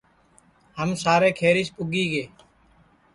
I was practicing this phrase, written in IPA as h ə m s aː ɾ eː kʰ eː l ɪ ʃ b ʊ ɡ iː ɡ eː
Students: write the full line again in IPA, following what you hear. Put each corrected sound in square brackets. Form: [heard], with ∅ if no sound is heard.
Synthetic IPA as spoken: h ə m s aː ɾ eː kʰ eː [ɾ] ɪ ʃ [p] ʊ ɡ iː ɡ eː